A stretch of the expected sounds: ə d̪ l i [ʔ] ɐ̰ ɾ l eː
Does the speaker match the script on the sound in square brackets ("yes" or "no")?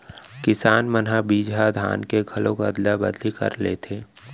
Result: no